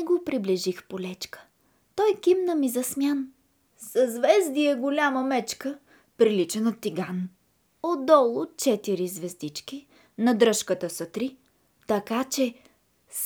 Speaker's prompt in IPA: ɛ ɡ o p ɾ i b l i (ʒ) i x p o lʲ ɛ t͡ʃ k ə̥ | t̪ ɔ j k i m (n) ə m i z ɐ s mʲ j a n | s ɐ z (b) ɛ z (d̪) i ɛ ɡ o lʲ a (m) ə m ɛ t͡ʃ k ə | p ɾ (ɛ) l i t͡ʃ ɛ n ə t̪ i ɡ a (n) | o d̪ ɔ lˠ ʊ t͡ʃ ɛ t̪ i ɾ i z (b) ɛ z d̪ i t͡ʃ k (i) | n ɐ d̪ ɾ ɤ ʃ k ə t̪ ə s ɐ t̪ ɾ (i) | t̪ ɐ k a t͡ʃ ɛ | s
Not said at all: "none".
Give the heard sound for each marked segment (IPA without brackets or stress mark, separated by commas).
ʒ, n, v, d̪, m, i, n, v, i, i